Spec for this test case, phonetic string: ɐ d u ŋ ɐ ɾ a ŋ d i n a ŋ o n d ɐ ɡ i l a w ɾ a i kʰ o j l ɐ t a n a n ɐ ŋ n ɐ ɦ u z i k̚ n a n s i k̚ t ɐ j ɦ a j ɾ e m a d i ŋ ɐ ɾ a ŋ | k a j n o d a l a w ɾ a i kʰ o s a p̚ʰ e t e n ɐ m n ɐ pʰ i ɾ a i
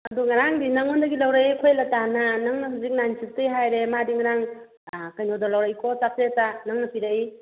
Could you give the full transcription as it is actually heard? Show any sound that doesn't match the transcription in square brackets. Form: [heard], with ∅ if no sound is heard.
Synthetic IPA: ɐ d u ŋ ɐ ɾ a ŋ d i n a ŋ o n d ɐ ɡ i l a w ɾ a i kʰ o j l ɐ t a n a n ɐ ŋ n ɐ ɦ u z i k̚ n a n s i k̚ t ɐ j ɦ a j ɾ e m a d i ŋ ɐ ɾ a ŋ | k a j n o d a l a w ɾ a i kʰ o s a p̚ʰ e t [a] n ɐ [ŋ] n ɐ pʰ i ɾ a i